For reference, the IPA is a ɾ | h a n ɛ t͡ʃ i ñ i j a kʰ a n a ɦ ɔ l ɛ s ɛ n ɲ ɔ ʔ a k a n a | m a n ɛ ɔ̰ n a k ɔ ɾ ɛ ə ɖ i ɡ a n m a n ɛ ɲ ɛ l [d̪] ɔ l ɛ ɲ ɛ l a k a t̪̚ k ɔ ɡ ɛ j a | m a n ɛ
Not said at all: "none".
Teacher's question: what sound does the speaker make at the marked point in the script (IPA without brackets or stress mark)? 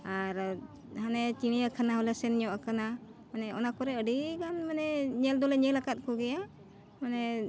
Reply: d̪